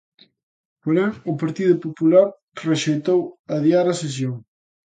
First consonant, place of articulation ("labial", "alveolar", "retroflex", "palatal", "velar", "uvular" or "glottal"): labial